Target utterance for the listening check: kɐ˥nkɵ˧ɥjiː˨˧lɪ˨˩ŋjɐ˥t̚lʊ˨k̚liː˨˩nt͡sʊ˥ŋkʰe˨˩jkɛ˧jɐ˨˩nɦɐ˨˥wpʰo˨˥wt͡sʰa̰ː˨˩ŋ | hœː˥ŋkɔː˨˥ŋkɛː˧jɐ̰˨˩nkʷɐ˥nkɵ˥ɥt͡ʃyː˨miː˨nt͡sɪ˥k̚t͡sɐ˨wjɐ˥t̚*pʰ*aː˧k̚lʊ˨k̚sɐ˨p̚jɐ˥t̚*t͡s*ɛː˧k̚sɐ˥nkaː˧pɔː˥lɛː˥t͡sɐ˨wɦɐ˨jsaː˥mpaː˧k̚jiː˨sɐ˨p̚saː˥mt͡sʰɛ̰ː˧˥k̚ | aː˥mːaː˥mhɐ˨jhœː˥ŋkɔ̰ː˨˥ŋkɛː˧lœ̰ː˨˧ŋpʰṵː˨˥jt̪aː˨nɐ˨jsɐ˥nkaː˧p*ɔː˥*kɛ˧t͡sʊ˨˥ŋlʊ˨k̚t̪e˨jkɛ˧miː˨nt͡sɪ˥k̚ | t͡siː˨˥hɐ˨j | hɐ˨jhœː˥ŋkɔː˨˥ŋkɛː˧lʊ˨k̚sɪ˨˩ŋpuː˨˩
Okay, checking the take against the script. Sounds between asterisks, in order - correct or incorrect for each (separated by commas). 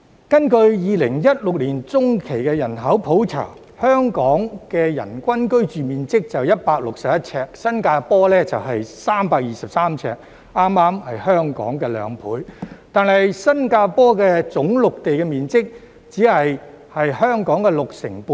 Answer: incorrect, incorrect, correct